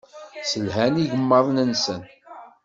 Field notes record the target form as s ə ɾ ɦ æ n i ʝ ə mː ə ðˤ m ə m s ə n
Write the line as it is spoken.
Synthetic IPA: s ə l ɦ æ n i ʝ ə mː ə ðˤ n ə n s ə n